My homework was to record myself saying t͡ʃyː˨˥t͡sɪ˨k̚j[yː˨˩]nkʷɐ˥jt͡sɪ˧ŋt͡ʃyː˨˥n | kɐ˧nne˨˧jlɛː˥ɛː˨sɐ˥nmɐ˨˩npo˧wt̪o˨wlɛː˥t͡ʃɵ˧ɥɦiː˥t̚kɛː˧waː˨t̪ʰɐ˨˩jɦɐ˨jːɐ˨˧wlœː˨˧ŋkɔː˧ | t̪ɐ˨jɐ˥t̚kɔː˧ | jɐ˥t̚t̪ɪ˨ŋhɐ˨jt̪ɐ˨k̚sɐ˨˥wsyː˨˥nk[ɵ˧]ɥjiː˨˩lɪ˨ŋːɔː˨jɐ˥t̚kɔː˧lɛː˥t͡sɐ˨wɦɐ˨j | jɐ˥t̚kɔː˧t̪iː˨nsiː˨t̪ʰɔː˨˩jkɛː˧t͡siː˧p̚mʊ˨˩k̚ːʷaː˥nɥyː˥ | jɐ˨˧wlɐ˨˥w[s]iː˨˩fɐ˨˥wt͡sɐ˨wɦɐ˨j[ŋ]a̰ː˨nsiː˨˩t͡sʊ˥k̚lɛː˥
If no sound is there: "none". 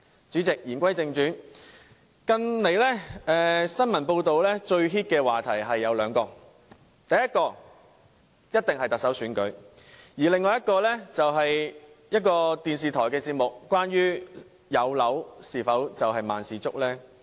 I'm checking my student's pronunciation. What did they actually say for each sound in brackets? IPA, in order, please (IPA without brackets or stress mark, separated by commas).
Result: iː˨˩, ɵ˨˥, s, m